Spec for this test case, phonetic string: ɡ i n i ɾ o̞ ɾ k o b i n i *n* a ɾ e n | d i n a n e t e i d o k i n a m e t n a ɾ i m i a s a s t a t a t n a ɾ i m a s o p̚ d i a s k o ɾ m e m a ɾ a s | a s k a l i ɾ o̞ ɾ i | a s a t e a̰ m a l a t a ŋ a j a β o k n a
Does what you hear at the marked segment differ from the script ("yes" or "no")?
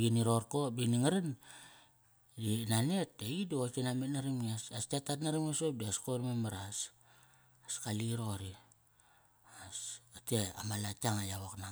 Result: yes